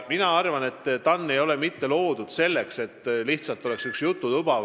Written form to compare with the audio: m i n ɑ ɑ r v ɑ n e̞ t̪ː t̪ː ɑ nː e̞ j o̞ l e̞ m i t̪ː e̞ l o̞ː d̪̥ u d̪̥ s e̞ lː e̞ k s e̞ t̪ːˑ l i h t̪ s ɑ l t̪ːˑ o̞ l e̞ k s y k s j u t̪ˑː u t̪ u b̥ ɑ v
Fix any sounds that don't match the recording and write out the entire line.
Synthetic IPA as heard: m i n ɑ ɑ r v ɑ n e̞ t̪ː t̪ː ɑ nː e̞ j o̞ l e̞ m i t̪ː e̞ l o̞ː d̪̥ u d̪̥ s e̞ lː e̞ k s e̞ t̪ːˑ l i h t̪ s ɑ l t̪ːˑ o̞ l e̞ k s y k s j u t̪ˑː u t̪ u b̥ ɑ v